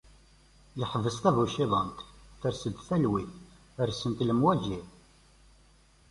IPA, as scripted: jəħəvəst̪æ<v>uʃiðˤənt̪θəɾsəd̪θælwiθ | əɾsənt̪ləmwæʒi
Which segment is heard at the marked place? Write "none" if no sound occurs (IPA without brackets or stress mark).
v